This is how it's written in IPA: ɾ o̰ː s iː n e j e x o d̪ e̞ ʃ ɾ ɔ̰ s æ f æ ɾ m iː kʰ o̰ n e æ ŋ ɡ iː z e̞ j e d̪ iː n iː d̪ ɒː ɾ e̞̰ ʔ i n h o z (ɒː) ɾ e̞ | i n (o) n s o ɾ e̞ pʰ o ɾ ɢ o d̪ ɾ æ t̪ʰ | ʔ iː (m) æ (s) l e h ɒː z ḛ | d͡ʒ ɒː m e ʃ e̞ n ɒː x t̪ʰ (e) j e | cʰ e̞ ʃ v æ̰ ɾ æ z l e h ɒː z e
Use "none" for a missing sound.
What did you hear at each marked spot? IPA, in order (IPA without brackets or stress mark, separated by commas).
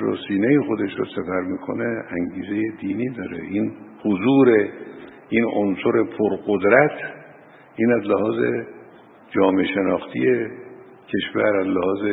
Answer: uː, o, n, z, i